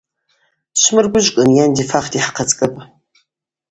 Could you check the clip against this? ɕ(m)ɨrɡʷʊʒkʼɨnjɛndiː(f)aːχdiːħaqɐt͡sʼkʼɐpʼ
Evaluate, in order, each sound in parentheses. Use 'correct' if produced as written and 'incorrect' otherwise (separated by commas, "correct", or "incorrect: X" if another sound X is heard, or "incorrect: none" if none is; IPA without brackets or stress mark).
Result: correct, correct